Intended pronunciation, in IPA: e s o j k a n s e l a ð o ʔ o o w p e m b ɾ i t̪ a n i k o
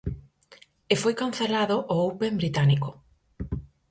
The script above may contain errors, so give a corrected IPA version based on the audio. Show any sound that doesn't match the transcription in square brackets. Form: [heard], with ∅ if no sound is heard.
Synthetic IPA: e [f] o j k a n [θ] e l a ð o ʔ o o w p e m b ɾ i t̪ a n i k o